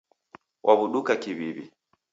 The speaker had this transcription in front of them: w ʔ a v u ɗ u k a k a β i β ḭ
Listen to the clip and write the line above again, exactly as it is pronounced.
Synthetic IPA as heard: w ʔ a β u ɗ u k a k i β i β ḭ